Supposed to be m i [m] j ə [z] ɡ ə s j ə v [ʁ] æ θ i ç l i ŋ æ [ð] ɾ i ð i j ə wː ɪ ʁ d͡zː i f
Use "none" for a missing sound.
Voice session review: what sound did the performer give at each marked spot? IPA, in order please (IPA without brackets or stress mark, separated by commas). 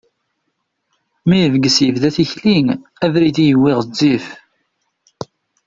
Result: none, v, ð, ð